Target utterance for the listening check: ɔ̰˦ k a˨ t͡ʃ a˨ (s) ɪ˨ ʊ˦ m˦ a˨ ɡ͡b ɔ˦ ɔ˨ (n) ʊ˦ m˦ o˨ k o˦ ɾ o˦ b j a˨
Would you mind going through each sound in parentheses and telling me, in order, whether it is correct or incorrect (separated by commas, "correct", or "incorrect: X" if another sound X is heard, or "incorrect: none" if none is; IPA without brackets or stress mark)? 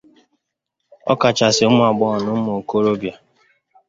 correct, correct